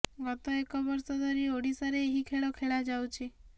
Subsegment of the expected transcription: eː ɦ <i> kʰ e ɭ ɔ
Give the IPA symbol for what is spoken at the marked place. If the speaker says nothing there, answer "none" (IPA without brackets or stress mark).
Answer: i